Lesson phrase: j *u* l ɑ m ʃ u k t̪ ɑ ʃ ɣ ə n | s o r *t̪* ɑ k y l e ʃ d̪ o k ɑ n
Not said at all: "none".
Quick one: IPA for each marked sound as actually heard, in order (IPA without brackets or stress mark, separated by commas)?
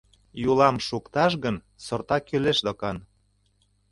u, t̪